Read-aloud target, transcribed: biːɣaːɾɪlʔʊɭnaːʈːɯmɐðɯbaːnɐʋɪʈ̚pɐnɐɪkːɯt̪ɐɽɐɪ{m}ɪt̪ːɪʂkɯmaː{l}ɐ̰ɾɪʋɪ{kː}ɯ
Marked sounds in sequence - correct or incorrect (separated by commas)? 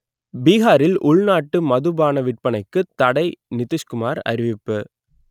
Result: incorrect, incorrect, incorrect